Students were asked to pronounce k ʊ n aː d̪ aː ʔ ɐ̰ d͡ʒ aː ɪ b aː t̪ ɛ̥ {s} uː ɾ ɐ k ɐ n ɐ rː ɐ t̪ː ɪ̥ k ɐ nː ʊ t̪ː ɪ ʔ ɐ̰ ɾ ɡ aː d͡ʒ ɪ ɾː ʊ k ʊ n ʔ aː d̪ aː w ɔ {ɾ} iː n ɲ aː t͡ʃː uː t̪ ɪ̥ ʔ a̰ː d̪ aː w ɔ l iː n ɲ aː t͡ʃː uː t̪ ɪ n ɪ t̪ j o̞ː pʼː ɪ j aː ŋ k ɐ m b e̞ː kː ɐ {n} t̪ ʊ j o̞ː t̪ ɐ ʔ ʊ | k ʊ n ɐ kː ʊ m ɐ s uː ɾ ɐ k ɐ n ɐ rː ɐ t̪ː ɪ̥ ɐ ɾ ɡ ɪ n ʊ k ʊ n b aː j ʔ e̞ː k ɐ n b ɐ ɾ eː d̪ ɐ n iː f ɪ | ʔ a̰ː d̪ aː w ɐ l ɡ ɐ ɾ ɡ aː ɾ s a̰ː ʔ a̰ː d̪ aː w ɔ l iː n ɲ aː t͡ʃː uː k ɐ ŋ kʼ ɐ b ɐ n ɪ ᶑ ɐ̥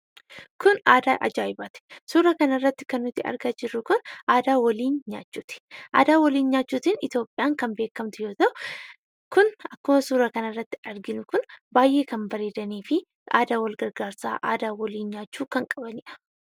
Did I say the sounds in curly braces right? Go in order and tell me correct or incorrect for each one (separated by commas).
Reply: correct, incorrect, incorrect